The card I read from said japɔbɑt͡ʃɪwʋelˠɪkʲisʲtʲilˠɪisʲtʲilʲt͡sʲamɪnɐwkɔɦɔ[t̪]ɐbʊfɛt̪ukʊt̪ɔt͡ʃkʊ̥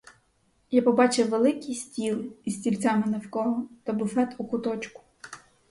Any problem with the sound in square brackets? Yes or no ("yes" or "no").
no